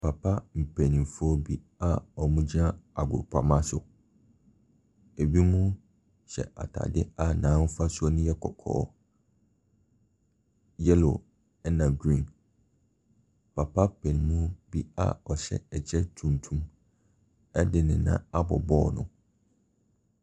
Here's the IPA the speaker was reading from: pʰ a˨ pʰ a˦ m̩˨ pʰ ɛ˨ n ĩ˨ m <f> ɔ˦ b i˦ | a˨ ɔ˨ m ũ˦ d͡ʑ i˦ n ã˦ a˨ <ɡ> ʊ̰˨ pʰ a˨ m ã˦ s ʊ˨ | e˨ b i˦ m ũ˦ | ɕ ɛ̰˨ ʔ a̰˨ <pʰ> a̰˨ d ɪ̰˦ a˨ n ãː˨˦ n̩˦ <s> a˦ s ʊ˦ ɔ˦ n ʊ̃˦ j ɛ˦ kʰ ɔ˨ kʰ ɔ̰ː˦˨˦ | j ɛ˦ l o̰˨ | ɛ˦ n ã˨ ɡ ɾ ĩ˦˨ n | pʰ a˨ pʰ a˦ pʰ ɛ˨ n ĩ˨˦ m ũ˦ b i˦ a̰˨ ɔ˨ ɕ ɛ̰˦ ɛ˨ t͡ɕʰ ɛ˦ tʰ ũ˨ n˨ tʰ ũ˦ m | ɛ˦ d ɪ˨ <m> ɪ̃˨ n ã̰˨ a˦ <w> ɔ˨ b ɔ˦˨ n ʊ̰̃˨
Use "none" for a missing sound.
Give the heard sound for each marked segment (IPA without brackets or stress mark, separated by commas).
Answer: f, ɡ, tʰ, f, n, b